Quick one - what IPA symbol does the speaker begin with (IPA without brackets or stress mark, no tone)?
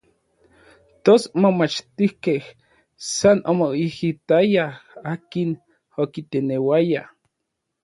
t̪